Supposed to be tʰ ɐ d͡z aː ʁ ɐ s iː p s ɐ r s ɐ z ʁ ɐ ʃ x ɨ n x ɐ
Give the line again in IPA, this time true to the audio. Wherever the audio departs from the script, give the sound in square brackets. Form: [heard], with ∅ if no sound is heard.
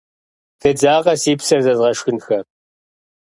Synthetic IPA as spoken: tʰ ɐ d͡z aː ʁ ɐ s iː p s ɐ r [z] ɐ z ʁ ɐ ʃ x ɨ n x ɐ